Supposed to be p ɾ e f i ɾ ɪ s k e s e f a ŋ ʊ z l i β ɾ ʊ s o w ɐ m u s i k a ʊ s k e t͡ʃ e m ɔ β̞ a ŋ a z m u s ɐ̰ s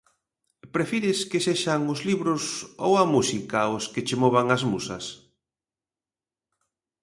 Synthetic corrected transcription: p ɾ e f i ɾ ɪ s k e s e ʃ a ŋ ʊ z l i β ɾ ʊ s o w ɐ m u s i k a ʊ s k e t͡ʃ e m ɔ β̞ a ŋ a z m u s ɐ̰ s